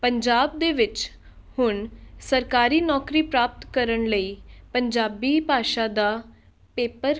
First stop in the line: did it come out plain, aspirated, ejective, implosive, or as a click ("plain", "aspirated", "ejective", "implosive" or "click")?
plain